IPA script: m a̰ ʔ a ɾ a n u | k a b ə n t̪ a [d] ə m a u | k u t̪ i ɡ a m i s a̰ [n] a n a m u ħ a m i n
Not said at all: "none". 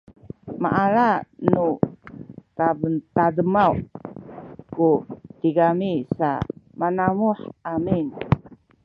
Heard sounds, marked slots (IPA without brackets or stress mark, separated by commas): d, m